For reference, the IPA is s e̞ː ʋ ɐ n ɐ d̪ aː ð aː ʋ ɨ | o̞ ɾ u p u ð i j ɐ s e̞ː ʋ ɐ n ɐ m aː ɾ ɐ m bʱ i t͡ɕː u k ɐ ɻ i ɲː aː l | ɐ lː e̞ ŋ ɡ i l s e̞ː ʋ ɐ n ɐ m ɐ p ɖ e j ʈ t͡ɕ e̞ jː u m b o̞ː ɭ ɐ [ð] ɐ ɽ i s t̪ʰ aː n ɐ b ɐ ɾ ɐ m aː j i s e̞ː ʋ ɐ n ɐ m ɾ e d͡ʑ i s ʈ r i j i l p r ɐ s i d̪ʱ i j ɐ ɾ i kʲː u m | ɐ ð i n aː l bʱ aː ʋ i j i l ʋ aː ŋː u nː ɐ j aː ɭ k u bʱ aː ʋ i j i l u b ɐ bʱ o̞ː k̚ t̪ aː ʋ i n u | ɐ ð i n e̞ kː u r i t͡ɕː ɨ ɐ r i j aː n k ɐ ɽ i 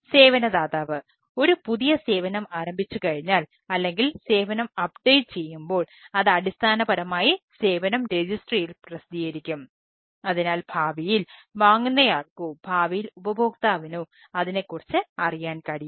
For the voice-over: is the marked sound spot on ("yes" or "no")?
yes